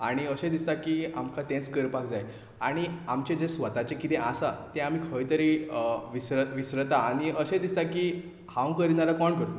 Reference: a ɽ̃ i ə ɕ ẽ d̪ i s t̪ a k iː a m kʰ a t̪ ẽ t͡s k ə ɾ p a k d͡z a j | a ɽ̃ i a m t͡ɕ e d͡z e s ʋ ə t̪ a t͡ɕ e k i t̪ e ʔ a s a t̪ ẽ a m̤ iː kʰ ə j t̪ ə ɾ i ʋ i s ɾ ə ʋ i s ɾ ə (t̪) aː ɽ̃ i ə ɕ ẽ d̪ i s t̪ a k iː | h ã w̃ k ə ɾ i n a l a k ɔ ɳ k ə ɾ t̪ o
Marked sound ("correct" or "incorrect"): correct